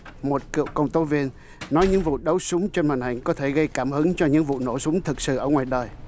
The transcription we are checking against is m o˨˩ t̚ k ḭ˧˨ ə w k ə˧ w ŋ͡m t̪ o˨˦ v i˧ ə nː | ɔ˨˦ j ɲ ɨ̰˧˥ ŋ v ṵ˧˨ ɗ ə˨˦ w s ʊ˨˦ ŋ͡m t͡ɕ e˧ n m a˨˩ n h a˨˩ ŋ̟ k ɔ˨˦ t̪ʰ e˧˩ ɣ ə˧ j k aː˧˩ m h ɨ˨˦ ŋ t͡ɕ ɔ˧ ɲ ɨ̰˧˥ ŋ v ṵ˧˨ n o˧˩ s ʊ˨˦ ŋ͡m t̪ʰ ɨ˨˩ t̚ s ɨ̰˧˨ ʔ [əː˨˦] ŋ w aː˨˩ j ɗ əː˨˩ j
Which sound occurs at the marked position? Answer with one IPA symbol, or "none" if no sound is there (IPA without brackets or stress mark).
əː˧˩